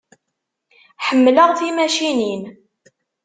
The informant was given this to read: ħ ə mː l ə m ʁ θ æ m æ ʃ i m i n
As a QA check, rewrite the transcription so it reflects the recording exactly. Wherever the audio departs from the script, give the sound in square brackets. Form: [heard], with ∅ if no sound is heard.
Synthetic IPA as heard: ħ ə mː l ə [∅] ʁ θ [i] m æ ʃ i [n] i n